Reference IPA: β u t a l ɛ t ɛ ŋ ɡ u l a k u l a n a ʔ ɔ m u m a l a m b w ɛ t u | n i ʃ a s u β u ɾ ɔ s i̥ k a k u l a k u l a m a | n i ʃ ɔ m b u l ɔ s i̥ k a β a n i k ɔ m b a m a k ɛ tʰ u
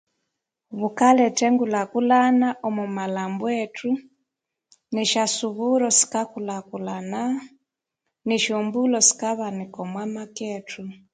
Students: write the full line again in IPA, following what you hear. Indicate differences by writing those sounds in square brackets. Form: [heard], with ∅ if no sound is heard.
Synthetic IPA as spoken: β u [k] a l ɛ t ɛ ŋ ɡ u l a k u l a n a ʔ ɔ m u m a l a m b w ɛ t u | n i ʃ a s u β u ɾ ɔ s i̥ k a k u l a k u l a [n] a | n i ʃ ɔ m b u l ɔ s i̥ k a β a n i k ɔ m [w] a m a k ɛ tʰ u